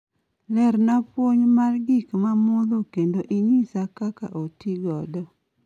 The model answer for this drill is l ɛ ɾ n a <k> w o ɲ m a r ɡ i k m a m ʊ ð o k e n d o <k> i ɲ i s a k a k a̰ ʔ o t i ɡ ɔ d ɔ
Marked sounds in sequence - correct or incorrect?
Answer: incorrect: p, incorrect: ʔ

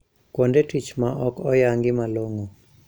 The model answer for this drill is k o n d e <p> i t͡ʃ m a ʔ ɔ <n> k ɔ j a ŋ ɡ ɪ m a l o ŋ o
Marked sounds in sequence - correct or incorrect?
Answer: incorrect: t, incorrect: none

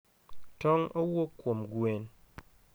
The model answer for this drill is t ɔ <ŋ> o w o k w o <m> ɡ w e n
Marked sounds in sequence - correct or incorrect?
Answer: correct, correct

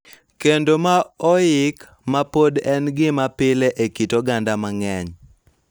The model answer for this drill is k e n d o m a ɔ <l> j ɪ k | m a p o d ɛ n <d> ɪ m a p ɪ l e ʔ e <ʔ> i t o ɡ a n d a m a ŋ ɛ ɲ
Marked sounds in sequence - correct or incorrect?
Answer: incorrect: none, incorrect: ɡ, incorrect: k

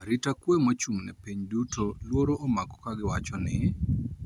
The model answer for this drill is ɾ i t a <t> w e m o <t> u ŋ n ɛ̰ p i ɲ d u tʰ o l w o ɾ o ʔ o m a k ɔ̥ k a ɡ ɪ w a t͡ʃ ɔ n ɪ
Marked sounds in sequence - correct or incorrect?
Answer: incorrect: k, incorrect: t͡ʃ

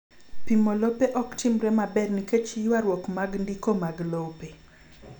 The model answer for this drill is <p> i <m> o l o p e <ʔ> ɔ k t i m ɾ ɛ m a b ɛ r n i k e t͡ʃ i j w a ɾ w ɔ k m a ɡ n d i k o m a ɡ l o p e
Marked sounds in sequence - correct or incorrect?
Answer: correct, correct, correct

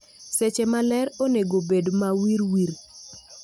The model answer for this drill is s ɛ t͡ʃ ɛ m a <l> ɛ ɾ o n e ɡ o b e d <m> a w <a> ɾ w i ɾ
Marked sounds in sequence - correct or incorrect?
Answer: correct, correct, incorrect: i

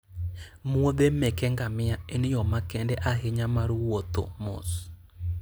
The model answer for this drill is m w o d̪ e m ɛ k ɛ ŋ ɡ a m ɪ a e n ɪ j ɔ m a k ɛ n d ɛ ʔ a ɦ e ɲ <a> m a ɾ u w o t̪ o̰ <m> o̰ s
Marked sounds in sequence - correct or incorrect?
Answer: correct, correct

